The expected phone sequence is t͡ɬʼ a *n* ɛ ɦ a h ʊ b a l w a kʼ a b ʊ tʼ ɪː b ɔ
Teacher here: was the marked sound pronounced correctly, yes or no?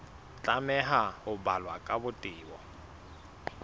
no